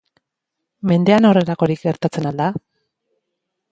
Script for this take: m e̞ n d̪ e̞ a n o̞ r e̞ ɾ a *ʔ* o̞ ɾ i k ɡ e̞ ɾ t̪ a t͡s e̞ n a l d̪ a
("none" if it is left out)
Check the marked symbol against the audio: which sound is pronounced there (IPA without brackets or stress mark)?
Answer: k